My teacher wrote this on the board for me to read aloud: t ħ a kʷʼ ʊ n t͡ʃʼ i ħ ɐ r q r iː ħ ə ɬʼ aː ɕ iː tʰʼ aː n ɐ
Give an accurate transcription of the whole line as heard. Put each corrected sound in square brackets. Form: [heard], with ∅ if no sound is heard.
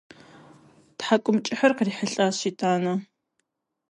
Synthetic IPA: t ħ a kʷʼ ʊ [m] t͡ʃʼ [ɪ] ħ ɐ r q r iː ħ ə ɬʼ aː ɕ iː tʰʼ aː n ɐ